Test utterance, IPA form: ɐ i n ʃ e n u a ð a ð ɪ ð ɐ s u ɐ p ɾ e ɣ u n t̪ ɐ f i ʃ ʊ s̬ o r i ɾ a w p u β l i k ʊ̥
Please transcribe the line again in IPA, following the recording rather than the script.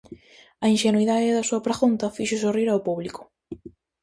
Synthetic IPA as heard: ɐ i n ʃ e n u i ð a ð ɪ ð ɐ s u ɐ p ɾ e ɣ u n t̪ ɐ f i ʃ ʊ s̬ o r i ɾ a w p u β l i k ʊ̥

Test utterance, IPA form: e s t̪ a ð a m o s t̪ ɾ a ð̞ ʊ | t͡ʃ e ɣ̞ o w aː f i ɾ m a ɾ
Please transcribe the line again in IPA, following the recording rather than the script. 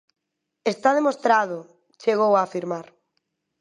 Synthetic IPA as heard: e s t̪ a ð e m o s t̪ ɾ a ð̞ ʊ | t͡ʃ e ɣ̞ o w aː f i ɾ m a ɾ

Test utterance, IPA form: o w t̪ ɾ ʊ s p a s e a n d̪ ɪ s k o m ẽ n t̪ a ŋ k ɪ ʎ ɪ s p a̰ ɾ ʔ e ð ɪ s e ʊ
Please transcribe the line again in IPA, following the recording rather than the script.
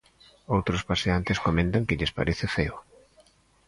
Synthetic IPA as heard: o w t̪ ɾ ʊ s p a s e a n t̪ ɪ s k o m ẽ n t̪ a ŋ k ɪ ʎ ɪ s p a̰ ɾ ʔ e θ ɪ f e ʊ

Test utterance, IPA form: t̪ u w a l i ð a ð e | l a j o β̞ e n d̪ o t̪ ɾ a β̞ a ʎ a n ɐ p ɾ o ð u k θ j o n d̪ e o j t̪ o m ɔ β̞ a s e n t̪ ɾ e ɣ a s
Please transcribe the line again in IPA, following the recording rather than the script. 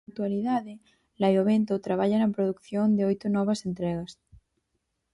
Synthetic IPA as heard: t̪ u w a l i ð a ð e | l a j o β̞ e n t̪ o t̪ ɾ a β̞ a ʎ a n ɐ p ɾ o ð u k θ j o n d̪ e o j t̪ o n ɔ β̞ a s e n t̪ ɾ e ɣ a s

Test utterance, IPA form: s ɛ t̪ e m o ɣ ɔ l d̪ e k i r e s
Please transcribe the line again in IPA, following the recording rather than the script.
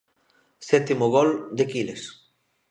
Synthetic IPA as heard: s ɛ t̪ i m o ɣ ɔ l d̪ e k i l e s

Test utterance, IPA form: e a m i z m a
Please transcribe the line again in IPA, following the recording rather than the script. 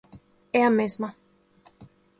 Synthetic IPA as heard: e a m e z m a

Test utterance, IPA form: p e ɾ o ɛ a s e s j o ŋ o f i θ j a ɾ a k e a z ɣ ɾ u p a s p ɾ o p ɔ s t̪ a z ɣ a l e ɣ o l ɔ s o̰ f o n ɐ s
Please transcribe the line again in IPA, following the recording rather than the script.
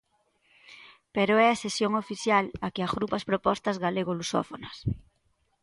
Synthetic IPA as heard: p e ɾ o ɛ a s e s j o ŋ o f i θ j a l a k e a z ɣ ɾ u p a s p ɾ o p ɔ s t̪ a z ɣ a l e ɣ o l u s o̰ f o n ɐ s

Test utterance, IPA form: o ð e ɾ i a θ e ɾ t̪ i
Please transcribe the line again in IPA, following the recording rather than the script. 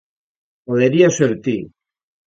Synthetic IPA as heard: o ð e ɾ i a s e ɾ t̪ i

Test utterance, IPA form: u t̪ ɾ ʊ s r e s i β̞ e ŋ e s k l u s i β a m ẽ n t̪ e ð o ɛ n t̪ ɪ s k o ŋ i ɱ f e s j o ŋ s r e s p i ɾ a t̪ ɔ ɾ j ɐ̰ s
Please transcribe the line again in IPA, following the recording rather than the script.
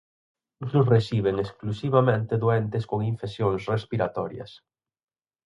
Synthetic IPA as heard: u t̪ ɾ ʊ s r e s i β̞ e ŋ e s k l u s i β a m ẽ n t̪ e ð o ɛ n t̪ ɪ s k o ŋ i ɱ f e s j o ŋ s r e s p i ɾ a t̪ ɔ ɾ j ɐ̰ s

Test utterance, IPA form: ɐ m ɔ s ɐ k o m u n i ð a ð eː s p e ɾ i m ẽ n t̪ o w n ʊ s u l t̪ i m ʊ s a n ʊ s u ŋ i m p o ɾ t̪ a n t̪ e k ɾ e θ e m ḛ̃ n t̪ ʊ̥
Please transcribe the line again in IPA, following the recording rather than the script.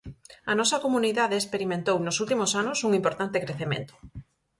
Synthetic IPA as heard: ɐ n ɔ s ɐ k o m u n i ð a ð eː s p e ɾ i m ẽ n t̪ o w n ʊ s u l t̪ i m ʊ s a n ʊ s u ŋ i m p o ɾ t̪ a n t̪ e k ɾ e θ e m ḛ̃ n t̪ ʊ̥

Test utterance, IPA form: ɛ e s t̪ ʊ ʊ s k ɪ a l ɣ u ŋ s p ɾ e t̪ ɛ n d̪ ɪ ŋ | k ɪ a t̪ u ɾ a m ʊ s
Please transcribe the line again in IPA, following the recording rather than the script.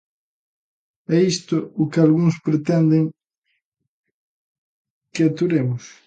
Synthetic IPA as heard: ɛ i s t̪ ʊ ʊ k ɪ a l ɣ u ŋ s p ɾ e t̪ ɛ n d̪ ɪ ŋ | k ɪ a t̪ u ɾ e m ʊ s

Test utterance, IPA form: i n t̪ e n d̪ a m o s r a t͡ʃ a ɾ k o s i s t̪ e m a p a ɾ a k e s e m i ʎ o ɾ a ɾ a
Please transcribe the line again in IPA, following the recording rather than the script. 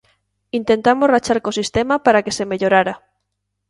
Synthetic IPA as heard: i n t̪ e n t̪ a m o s r a t͡ʃ a ɾ k o s i s t̪ e m a p a ɾ a k e s e m e ʎ o ɾ a ɾ a

